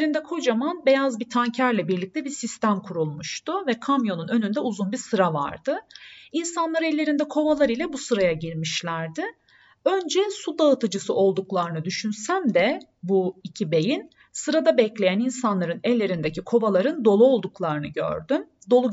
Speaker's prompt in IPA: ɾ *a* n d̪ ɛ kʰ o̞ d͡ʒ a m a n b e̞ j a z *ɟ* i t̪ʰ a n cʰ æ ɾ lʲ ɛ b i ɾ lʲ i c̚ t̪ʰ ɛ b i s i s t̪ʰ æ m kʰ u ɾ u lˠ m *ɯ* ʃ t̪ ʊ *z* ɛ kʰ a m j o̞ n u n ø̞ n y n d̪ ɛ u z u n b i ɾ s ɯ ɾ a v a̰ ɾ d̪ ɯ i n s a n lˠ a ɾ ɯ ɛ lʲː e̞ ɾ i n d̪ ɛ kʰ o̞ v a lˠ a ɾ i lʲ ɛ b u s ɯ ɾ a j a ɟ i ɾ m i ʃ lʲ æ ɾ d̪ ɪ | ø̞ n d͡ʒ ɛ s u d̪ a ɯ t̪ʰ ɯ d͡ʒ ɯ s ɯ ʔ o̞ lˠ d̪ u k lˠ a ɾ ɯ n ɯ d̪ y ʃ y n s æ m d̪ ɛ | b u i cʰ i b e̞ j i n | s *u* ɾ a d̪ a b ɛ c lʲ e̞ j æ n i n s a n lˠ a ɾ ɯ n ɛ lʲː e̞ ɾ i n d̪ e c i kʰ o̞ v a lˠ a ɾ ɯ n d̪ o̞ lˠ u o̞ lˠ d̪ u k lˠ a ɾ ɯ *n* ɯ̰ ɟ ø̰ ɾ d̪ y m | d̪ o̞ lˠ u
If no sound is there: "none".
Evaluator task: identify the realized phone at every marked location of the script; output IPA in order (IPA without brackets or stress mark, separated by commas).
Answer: i, b, u, v, ɯ, n